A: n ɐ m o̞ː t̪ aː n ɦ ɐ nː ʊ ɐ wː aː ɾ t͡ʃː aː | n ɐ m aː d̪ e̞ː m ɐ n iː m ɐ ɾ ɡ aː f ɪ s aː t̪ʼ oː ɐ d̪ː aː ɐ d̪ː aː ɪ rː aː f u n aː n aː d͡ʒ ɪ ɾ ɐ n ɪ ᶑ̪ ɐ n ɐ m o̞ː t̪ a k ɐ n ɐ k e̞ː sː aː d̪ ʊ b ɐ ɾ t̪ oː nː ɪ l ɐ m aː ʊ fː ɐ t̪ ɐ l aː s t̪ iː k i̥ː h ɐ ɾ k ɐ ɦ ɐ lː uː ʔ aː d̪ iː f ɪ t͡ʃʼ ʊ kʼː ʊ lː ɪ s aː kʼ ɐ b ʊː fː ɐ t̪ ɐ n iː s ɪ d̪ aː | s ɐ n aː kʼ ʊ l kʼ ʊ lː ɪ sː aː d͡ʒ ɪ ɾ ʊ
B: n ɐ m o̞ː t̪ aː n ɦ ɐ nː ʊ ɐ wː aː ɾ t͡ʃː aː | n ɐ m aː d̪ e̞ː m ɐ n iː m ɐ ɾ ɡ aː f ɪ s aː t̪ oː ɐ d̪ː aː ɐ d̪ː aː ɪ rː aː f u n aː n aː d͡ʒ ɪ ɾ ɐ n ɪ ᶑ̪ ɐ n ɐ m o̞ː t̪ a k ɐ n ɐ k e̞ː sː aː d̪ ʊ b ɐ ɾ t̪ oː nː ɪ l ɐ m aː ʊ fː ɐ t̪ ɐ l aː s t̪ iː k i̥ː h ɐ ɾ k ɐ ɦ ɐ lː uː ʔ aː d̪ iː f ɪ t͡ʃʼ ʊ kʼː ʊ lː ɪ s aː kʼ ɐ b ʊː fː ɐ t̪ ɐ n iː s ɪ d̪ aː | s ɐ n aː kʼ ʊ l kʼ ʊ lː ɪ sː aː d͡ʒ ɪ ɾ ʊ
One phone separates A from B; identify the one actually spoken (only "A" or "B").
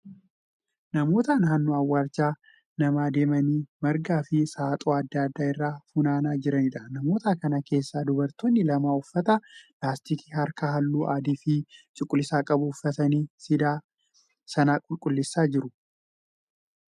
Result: A